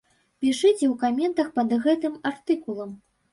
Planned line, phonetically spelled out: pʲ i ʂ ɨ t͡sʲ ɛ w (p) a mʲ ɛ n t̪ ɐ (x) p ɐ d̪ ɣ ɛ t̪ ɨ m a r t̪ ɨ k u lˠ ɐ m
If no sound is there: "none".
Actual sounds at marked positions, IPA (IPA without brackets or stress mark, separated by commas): k, x